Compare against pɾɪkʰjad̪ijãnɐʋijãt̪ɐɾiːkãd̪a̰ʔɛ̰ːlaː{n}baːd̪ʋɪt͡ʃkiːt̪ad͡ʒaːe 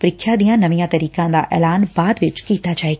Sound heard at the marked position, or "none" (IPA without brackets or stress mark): n